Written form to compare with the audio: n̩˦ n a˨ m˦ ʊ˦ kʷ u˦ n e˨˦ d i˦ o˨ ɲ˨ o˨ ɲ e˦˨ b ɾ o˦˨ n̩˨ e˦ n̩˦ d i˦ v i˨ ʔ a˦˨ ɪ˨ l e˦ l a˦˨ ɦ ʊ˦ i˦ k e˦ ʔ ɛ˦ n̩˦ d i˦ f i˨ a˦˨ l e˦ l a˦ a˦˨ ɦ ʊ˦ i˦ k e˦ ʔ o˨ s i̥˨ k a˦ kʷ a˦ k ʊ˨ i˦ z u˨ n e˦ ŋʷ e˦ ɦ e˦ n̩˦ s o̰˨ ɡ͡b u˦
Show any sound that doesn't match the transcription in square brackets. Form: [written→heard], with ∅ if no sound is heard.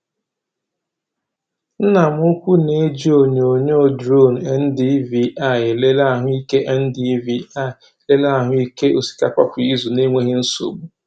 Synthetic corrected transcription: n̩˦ n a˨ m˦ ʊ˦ kʷ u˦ n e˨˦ [d→d͡ʒ] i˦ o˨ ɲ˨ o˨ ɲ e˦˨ [b→d] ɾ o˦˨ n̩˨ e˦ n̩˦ d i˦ v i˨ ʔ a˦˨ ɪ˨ l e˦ l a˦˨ ɦ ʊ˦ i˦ k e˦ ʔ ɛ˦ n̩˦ d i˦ [f→v] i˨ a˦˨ l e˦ l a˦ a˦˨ ɦ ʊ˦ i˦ k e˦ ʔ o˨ s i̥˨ k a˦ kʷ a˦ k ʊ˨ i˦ z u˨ n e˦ ŋʷ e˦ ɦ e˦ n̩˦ s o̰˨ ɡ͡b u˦

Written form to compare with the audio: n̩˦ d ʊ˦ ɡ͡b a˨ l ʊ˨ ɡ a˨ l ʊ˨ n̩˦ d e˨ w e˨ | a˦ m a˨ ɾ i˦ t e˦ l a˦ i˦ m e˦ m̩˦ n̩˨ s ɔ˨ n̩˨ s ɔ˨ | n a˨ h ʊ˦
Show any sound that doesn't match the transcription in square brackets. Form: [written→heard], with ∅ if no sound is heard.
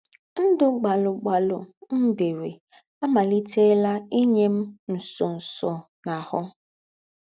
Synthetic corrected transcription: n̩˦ d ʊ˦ ɡ͡b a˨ l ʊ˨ [ɡ→ɡ͡b] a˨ l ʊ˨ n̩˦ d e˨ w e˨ | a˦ m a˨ [ɾ→l] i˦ t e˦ l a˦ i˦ [m→ɲ] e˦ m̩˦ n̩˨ s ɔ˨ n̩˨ s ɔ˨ | n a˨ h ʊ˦

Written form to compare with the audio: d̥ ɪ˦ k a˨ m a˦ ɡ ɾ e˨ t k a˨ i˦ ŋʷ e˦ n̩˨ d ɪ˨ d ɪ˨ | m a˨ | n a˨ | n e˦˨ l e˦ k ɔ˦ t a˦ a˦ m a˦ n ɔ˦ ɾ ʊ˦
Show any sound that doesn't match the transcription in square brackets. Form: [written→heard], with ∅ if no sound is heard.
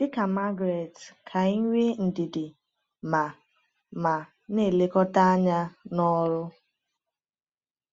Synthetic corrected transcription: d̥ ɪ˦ k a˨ m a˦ ɡ ɾ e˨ t [k→kʰ] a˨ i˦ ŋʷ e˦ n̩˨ d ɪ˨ d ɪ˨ | m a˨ | [n→m] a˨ | n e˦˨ l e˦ k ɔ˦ t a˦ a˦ [m→ɲ] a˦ n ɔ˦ ɾ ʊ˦

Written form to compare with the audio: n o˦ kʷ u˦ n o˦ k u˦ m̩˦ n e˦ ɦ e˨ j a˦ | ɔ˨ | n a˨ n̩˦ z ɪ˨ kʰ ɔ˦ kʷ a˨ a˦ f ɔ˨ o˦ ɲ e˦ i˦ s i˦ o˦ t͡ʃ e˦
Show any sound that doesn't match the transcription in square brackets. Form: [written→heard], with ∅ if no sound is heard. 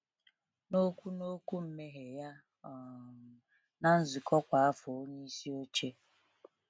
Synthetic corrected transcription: n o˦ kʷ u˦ n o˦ k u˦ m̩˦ [n→m] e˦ ɦ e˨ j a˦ | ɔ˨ | n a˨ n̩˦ z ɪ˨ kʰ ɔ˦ kʷ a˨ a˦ f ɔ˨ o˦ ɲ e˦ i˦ s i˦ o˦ t͡ʃ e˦

